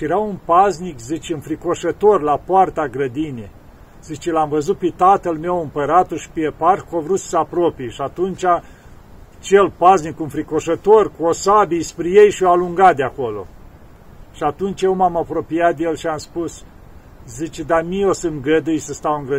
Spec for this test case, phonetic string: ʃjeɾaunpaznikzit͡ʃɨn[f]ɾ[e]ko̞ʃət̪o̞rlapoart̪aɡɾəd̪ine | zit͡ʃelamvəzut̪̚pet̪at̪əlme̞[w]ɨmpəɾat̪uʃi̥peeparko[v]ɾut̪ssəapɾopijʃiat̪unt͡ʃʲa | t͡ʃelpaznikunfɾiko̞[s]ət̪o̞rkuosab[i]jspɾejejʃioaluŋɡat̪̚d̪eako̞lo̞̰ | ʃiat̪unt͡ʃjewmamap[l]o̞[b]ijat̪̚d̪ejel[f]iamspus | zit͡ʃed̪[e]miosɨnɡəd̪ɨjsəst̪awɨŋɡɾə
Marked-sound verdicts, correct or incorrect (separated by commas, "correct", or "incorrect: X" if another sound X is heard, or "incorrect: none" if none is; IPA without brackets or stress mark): correct, incorrect: i, correct, correct, incorrect: ʃ, correct, incorrect: ɾ, incorrect: p, incorrect: ʃ, incorrect: a